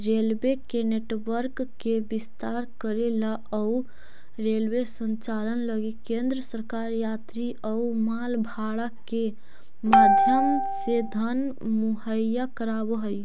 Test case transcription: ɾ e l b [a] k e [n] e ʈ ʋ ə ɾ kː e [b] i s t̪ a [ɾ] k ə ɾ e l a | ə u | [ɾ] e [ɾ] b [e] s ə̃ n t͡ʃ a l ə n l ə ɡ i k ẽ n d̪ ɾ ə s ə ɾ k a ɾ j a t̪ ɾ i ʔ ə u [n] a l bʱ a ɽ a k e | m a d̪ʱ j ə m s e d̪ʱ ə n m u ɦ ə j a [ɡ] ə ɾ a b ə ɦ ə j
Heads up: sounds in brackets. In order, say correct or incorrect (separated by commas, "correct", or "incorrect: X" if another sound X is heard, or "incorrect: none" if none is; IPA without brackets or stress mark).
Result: incorrect: e, correct, correct, correct, correct, incorrect: l, correct, incorrect: m, incorrect: k